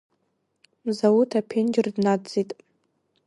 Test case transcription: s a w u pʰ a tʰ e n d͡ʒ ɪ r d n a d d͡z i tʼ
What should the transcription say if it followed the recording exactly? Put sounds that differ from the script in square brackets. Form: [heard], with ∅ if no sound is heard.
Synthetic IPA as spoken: [z] a w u [tʰ] a [pʰ] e n d͡ʒ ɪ r d n a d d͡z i tʼ